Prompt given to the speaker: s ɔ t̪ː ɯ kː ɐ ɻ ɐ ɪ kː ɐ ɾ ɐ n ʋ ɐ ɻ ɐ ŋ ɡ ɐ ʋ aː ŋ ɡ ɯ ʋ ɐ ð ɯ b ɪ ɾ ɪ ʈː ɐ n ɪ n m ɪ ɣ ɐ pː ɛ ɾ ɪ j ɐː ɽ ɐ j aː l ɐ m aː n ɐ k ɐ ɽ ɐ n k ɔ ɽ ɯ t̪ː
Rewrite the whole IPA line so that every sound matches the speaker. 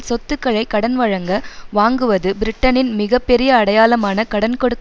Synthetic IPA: s ɔ t̪ː ɯ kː ɐ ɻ ɐ ɪ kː ɐ ɽ ɐ n ʋ ɐ ɻ ɐ ŋ ɡ ɐ ʋ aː ŋ ɡ ɯ ʋ ɐ ð ɯ b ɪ ɾ ɪ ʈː ɐ n ɪ n m ɪ ɣ ɐ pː ɛ ɾ ɪ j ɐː ɽ ɐ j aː l ɐ m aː n ɐ k ɐ ɽ ɐ n k ɔ ɽ ɯ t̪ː

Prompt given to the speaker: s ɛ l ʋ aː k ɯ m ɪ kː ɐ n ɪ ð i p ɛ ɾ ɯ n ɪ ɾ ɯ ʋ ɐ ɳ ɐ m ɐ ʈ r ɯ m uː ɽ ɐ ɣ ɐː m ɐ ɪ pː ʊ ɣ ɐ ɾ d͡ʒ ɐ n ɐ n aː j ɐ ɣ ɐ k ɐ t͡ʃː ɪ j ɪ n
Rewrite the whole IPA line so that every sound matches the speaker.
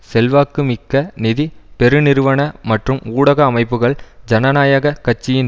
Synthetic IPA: s ɛ l ʋ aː k ɯ m ɪ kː ɐ n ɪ ð i p ɛ ɾ ɯ n ɪ ɾ ɯ ʋ ɐ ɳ ɐ m ɐ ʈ r ɯ m uː ɽ ɐ ɣ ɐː m ɐ ɪ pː ɯ ɣ ɐ ɭ d͡ʒ ɐ n ɐ n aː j ɐ ɣ ɐ k ɐ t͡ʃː ɪ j ɪ n

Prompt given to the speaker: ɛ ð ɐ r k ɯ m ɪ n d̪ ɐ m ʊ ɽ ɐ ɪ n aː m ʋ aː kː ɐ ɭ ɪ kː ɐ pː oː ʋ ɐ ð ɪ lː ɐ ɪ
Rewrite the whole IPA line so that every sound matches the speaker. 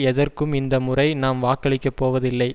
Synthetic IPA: ɛ ð ɐ r k ɯ m ɪ n d̪ ɐ m ʊ r ɐ ɪ n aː m ʋ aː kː ɐ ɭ ɪ kː ɐ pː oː ʋ ɐ ð ɪ lː ɐ ɪ

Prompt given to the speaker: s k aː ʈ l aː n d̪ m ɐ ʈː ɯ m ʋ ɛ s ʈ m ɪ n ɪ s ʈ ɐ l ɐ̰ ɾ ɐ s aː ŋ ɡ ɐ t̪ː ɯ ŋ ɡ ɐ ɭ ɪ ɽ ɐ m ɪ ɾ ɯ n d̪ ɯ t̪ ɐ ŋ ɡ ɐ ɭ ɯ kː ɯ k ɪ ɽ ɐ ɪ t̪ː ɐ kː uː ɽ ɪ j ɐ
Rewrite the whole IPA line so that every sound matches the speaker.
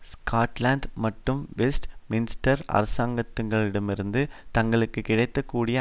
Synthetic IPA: s k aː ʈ l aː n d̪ m ɐ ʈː ɯ m ʋ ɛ s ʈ m ɪ n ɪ s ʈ ɐ ɾ ɐ̰ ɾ ɐ s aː ŋ ɡ ɐ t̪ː ɯ ŋ ɡ ɐ ɭ ɪ ɽ ɐ m ɪ ɾ ɯ n d̪ ɯ t̪ ɐ ŋ ɡ ɐ ɭ ɯ kː ɯ k ɪ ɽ ɐ ɪ t̪ː ɐ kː uː ɽ ɪ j ɐ

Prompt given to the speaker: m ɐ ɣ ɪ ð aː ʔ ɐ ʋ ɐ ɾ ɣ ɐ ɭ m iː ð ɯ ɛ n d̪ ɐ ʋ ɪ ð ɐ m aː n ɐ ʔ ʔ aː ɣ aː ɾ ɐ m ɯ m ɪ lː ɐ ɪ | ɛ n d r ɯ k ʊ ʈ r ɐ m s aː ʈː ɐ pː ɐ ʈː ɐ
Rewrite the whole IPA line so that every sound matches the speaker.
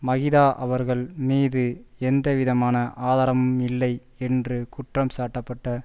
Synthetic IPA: m ɐ ɣ ɪ ð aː ʔ ɐ ʋ ɐ ɾ ɣ ɐ ɭ m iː ð ɯ ɛ n d̪ ɐ ʋ ɪ ð ɐ m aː n ɐ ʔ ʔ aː ð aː ɾ ɐ m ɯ m ɪ lː ɐ ɪ | ɛ n d r ɯ k ʊ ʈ r ɐ m s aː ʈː ɐ pː ɐ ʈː ɐ

